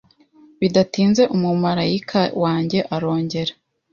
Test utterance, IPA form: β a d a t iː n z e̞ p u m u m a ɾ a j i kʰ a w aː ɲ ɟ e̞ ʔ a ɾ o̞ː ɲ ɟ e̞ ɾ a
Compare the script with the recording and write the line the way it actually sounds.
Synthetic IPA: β i d a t iː n z e̞ ʔ u m u m a ɾ a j i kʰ a w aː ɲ ɟ e̞ ʔ a ɾ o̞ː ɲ ɟ e̞ ɾ a